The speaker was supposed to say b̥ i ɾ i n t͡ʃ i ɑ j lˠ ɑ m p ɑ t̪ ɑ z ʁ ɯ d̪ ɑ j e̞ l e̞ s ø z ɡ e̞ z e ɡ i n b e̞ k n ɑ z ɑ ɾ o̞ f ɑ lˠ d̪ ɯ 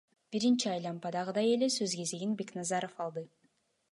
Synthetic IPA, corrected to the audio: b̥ i ɾ i n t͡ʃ i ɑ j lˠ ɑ m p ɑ d̪ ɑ ʁ ɯ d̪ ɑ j e̞ l e̞ s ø z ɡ e̞ z e ɡ i n b e̞ k n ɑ z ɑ ɾ o̞ f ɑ lˠ d̪ ɯ